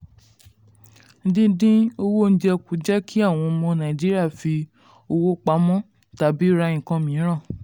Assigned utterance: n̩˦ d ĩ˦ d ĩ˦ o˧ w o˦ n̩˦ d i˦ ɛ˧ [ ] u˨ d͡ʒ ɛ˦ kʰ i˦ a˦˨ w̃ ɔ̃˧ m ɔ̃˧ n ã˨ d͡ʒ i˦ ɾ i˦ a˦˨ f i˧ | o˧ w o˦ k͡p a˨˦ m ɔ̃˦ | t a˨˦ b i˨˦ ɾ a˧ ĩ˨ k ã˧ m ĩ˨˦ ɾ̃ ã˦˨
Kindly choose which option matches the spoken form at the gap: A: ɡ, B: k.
B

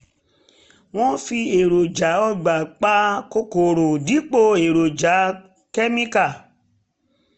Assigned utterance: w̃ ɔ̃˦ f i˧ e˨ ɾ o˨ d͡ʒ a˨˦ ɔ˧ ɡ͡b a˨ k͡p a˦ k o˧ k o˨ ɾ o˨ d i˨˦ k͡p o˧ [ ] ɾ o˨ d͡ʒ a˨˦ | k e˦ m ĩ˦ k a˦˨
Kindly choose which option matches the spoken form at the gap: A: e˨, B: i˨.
A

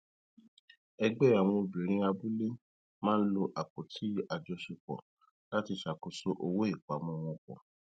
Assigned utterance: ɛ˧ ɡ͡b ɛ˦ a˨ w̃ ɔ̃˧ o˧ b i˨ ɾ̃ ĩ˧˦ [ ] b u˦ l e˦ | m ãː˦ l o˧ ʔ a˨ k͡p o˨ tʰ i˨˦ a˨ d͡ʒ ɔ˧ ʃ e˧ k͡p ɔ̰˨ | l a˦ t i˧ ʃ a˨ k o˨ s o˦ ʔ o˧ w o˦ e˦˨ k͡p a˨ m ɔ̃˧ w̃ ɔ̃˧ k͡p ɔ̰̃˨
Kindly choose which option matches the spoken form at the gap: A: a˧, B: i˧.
A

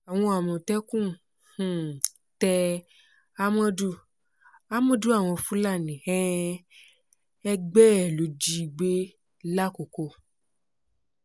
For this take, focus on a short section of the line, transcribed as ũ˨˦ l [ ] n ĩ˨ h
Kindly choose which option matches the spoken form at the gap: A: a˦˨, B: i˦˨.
A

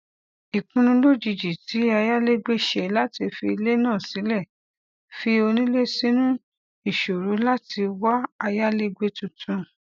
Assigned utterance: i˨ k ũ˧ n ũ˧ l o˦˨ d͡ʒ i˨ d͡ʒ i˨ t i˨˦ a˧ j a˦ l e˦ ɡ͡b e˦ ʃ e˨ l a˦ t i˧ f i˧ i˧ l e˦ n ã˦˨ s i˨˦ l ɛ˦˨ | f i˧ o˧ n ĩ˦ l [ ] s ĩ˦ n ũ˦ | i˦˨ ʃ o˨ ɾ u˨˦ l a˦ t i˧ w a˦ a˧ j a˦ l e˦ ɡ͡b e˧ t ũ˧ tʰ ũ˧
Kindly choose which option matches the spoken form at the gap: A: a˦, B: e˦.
B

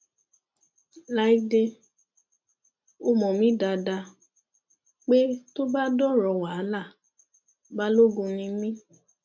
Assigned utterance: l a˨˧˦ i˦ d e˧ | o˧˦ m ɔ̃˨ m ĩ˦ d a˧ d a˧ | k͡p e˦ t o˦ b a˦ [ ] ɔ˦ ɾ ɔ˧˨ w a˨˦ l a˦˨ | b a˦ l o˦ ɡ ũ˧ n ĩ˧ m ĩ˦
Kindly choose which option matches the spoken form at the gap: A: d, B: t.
A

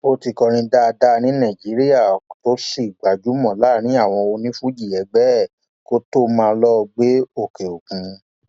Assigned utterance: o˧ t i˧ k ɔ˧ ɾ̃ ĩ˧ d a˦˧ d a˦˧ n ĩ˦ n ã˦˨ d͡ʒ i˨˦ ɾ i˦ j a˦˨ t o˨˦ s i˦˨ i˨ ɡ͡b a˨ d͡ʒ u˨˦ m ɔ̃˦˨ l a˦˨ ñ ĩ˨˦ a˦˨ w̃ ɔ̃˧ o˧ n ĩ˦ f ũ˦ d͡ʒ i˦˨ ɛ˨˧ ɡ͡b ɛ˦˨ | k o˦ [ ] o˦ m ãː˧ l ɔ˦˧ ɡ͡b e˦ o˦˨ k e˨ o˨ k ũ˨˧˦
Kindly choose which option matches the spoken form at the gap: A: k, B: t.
B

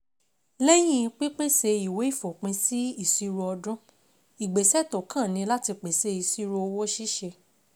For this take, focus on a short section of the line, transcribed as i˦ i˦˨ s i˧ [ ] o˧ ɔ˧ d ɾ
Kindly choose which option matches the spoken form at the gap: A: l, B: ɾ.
B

